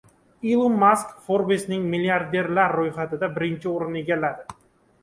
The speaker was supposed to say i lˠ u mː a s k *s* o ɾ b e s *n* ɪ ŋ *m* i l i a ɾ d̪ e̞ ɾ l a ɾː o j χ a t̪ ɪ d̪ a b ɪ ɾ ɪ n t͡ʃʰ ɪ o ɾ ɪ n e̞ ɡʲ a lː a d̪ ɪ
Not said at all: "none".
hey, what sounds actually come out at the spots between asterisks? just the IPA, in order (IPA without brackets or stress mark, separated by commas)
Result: f, n, m